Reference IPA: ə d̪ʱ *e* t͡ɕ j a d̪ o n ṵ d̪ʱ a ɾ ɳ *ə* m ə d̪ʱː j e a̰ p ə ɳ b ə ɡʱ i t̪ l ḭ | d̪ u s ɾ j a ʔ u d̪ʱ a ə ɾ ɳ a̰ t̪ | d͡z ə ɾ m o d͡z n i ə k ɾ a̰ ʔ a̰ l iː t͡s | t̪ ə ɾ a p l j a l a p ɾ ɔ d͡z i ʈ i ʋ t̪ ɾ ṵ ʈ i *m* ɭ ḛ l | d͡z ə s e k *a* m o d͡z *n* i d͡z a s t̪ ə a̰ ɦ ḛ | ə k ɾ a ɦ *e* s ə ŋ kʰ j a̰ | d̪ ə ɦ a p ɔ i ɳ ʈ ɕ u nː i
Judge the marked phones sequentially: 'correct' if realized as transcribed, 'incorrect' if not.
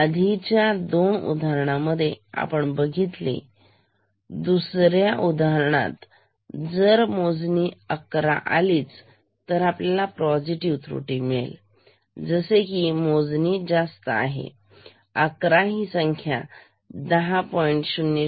incorrect: i, incorrect: a, correct, incorrect: i, correct, incorrect: i

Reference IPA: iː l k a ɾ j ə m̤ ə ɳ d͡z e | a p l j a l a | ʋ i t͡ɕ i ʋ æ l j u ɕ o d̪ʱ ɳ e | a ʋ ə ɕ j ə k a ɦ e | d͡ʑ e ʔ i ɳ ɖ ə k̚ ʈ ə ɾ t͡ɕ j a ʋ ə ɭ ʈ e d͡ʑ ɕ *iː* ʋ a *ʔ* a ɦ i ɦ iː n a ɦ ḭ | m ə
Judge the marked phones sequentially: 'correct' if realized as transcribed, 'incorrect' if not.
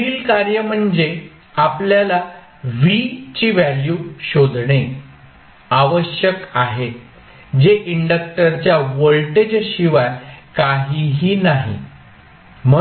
incorrect: i, incorrect: k

